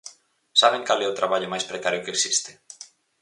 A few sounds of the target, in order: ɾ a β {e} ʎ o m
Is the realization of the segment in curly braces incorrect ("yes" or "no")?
yes